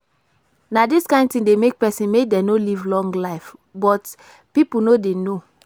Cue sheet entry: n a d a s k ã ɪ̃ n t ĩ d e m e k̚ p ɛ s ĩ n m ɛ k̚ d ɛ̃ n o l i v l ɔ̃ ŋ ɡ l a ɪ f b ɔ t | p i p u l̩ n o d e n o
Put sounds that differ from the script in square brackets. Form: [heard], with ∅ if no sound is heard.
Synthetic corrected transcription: n a d [i] s k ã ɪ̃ n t ĩ d e m e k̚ p ɛ s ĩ n m [e] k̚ d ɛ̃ n o l i v l ɔ̃ ŋ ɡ l a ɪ f b ɔ t | p i p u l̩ n o d e n o